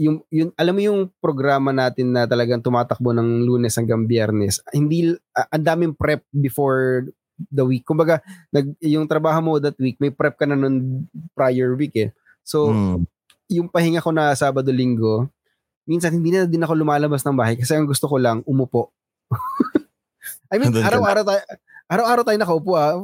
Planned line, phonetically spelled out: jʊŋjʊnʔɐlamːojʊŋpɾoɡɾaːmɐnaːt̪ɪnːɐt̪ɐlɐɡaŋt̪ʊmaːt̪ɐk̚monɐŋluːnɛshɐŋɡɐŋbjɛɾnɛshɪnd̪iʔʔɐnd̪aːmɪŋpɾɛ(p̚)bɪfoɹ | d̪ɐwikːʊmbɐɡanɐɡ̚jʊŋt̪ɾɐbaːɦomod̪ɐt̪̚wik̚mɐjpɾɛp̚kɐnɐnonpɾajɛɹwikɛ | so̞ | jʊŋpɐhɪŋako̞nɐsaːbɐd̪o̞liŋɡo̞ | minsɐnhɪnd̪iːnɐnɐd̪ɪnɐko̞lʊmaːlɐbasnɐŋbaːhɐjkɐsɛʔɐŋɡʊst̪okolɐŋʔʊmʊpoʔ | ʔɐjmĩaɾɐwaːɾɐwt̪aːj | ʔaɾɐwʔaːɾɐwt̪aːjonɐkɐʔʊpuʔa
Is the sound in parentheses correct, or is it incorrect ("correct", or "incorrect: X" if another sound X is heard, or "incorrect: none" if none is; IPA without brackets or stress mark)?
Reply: correct